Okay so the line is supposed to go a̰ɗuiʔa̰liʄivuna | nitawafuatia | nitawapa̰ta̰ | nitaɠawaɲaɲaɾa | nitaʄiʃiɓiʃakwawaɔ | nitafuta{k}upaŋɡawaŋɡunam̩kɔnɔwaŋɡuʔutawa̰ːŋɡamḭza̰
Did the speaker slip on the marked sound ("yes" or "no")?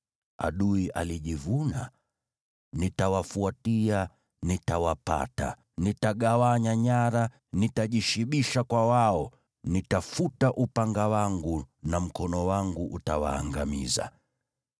yes